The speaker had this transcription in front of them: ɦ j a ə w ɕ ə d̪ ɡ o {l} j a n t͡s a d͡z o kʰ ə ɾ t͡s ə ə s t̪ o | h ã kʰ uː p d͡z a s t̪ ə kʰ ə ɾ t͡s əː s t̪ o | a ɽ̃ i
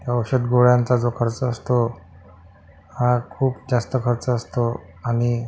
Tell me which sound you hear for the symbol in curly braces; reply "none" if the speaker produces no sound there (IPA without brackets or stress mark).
ɭ